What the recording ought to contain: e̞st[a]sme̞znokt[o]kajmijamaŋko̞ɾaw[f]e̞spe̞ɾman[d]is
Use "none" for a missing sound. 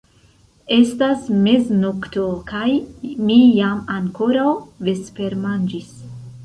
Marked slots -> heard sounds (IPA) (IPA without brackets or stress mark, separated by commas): a, o, v, d͡ʒ